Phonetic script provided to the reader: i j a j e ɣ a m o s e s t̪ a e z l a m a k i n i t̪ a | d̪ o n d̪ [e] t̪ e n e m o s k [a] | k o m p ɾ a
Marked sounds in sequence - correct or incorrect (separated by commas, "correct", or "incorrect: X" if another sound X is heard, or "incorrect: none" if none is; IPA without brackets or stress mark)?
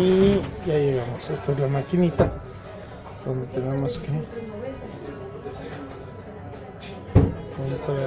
correct, incorrect: e